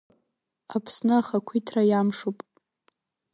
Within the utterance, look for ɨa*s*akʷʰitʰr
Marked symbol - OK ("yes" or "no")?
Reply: no